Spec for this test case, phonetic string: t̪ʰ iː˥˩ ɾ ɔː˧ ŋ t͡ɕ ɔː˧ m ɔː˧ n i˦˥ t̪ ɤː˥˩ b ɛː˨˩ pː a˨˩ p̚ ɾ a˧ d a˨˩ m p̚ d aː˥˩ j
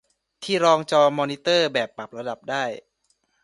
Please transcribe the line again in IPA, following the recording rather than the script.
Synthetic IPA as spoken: t̪ʰ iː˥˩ ɾ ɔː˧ ŋ t͡ɕ ɔː˧ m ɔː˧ n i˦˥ t̪ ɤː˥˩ b ɛː˨˩ pː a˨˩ p̚ ɾ a˧ d a˨˩ p̚ d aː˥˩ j